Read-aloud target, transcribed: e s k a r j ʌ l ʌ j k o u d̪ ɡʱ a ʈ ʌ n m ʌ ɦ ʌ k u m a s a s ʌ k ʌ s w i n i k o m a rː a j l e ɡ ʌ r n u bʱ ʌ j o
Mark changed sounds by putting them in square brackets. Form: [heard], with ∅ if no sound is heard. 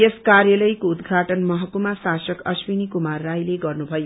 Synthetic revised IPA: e s k a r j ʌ l ʌ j k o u d̪ ɡʱ a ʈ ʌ n m ʌ ɦ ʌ k u m a s a s ʌ k ʌ s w i n i k [u] m a rː a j l e ɡ ʌ r n u bʱ ʌ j o

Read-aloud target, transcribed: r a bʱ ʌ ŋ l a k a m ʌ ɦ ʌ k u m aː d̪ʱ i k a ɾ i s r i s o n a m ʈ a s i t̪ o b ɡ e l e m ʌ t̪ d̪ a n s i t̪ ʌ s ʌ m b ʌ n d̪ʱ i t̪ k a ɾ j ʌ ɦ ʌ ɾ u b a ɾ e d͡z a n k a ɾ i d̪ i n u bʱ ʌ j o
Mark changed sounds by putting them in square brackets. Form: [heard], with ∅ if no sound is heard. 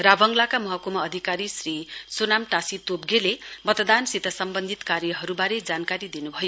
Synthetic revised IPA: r a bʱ ʌ ŋ l a k a m ʌ ɦ ʌ k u m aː d̪ʱ i k a ɾ i s r i s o n a m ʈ a s i t̪ o b ɡ e l e m ʌ t̪ d̪ a n s i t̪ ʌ s ʌ m b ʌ n d̪ʱ i t̪ k a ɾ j ʌ ɦ ʌ ɾ u b a ɾ e d͡z a n k a ɾ i d̪ i n u bʱ ʌ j o

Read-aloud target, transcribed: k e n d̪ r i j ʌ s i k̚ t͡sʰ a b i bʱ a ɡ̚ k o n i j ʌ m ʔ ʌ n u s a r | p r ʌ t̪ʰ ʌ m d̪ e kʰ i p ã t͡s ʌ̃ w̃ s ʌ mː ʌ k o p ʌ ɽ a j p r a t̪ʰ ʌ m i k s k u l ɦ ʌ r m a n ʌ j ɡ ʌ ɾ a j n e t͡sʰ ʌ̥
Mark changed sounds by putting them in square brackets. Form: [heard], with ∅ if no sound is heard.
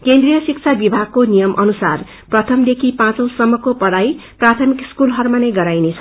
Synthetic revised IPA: k e n d̪ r i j ʌ s i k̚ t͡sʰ a b i bʱ a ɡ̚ k o n i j ʌ m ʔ ʌ n u s a r | p r ʌ t̪ʰ ʌ m d̪ e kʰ i p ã t͡s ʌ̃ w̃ s ʌ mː ʌ k o p ʌ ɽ a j p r a t̪ʰ ʌ m i k s k u l ɦ ʌ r m a n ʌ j ɡ ʌ ɾ a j n e t͡sʰ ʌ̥

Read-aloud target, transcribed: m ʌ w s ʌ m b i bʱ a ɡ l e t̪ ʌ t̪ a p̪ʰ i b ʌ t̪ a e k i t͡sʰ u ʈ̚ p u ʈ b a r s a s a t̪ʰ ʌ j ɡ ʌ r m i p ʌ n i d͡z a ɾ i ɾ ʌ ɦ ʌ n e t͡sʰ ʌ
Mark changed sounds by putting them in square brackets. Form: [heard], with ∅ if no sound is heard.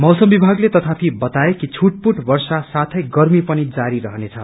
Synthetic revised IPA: m ʌ w s ʌ m b i bʱ a ɡ l e t̪ ʌ [t̪ʰ] a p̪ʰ i b ʌ t̪ a e k i t͡sʰ u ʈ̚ p u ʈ b [ʌ] r s a s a t̪ʰ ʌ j ɡ ʌ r m i p ʌ n i d͡z a ɾ i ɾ ʌ ɦ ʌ n e t͡sʰ ʌ

